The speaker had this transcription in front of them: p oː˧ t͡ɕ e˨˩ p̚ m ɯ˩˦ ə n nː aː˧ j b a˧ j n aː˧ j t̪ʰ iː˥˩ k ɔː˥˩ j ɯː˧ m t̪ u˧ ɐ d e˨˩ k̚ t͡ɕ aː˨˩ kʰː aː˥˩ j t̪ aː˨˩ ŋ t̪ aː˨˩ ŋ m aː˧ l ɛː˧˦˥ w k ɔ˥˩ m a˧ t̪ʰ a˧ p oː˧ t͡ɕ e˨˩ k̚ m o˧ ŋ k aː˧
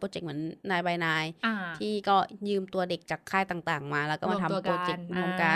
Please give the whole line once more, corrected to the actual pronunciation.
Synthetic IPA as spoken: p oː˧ t͡ɕ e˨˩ k̚ m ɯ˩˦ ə n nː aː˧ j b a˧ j n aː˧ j t̪ʰ iː˥˩ k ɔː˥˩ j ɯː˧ m t̪ u˧ ɐ d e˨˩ k̚ t͡ɕ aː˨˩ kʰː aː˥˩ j t̪ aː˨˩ ŋ t̪ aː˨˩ ŋ m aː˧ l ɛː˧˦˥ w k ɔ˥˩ m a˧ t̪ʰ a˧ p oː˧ t͡ɕ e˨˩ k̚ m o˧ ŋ k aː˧